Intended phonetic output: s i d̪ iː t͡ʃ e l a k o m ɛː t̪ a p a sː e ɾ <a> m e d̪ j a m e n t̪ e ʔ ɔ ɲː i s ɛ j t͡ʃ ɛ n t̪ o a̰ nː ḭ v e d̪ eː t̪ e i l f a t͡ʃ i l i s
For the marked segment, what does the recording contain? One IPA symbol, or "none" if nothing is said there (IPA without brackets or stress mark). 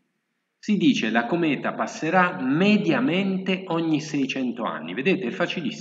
a